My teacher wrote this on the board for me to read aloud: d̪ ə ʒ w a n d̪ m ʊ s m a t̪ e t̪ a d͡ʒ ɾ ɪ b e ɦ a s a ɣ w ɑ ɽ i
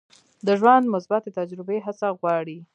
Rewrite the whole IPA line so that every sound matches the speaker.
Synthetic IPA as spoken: d̪ ə ʒ w a n d̪ m ʊ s b a t̪ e t̪ a d͡ʒ ɾ ɪ b e ɦ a s a ɣ w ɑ ɽ i